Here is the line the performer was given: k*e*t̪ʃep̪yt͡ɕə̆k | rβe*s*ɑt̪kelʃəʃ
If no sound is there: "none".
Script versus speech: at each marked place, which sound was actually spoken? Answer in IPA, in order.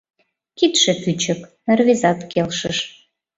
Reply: i, z

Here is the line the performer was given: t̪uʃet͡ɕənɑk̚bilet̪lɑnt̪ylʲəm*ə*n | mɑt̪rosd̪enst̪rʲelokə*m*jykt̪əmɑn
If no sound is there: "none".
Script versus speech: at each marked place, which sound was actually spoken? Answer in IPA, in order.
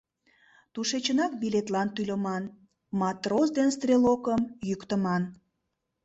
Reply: ɑ, m

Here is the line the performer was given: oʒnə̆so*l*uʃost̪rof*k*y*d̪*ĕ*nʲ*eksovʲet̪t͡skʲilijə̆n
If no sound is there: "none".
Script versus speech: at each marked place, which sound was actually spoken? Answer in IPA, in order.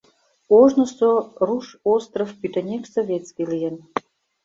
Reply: r, p, t̪, nʲ

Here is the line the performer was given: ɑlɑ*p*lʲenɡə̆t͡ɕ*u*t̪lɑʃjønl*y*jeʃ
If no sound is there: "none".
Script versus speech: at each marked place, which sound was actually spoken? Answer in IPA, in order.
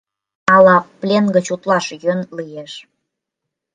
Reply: p, u, i

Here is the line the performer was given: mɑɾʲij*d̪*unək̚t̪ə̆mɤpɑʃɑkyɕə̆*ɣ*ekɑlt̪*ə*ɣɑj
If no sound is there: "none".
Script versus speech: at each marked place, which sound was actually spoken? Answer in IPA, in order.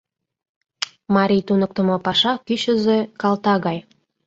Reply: t̪, z, ɑ

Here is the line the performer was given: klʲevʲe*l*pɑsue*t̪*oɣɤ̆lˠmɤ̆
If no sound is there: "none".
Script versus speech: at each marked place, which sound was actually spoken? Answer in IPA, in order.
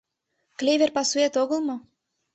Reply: r, t̪

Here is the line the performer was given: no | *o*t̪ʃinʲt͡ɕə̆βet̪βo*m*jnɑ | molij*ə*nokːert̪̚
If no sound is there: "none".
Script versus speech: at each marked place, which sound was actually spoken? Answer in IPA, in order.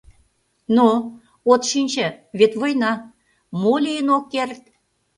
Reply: o, none, ə

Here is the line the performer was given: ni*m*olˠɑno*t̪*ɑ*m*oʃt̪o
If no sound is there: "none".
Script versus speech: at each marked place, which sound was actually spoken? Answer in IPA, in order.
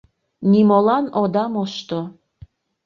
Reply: m, d̪, m

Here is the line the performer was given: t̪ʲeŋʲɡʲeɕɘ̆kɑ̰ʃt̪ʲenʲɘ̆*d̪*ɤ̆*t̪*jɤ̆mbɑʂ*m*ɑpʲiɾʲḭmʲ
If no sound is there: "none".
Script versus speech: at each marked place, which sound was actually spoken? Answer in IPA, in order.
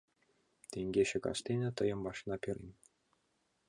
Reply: t̪, none, n

